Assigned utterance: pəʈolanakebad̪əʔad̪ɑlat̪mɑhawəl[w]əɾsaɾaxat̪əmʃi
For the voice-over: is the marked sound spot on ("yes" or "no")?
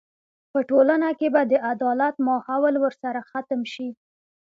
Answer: yes